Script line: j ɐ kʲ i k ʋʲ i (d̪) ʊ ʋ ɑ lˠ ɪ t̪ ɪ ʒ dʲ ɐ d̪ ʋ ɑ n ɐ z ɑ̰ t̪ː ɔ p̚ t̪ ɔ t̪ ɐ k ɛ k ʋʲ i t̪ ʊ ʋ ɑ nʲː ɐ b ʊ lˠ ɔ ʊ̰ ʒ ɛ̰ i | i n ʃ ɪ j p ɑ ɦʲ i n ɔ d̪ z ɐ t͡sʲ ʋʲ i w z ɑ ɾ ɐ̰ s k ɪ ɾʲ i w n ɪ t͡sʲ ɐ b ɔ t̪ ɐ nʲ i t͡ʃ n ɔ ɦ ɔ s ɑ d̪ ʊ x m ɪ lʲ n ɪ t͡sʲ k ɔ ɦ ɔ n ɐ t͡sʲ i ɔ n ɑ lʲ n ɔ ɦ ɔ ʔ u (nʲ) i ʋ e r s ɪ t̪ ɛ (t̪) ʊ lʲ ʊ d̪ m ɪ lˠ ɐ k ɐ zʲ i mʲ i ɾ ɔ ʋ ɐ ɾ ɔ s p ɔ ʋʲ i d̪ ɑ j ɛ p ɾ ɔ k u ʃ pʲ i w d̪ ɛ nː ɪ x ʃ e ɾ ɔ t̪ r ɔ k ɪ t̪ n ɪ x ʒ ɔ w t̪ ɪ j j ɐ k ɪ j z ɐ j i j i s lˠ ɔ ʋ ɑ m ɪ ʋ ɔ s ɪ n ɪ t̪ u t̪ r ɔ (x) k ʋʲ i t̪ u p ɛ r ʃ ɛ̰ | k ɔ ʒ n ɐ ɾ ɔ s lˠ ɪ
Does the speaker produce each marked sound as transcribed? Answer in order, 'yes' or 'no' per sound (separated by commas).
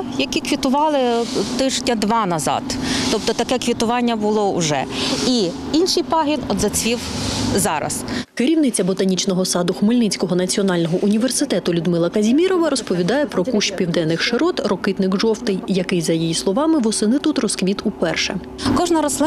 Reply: no, yes, yes, no